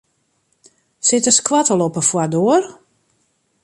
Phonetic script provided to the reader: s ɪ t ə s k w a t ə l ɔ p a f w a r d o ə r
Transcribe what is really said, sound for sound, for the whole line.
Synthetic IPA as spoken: s ɪ t ə s k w a t ə l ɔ p ə f w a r d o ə r